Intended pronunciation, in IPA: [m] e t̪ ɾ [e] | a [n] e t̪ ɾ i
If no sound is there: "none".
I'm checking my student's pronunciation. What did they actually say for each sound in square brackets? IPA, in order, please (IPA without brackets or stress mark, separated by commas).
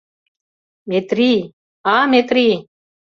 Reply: m, i, m